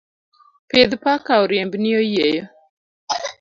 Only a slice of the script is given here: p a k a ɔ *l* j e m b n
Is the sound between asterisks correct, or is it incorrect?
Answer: incorrect